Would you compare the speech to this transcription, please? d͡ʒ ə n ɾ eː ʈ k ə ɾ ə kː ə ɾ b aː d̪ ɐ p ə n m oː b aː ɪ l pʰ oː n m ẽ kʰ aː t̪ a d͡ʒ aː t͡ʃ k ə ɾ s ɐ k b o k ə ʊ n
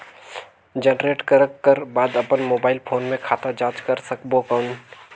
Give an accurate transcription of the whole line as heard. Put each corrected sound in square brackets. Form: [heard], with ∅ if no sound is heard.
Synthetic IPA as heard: d͡ʒ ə n ɾ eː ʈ k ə ɾ ə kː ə ɾ b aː d̪ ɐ p ə n m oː b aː ɪ l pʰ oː n m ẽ kʰ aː t̪ a d͡ʒ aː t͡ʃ k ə ɾ s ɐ k b o k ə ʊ n